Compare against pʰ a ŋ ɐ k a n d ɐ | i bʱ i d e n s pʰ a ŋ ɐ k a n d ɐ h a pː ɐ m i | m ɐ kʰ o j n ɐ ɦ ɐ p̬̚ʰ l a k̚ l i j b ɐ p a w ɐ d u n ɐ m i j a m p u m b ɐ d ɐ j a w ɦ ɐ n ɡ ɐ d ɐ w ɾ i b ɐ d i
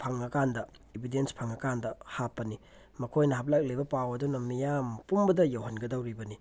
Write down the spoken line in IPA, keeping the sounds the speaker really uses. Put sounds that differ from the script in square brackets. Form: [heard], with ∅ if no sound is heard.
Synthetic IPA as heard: pʰ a ŋ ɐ k a n d ɐ | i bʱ i d e n s pʰ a ŋ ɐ k a n d ɐ h a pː ɐ [n] i | m ɐ kʰ o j n ɐ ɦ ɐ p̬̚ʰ l a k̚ l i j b ɐ p a w ɐ d u n ɐ m i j a m p u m b ɐ d ɐ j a w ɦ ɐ n ɡ ɐ d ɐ w ɾ i b ɐ [n] i